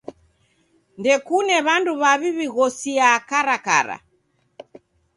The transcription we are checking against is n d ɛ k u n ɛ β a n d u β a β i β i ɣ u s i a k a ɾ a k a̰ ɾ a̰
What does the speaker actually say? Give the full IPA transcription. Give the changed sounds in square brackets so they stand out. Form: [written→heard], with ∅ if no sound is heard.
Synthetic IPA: n d ɛ k u n ɛ β a n d u β a β i β i ɣ [u→ɔ] s i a k a ɾ a k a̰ ɾ a̰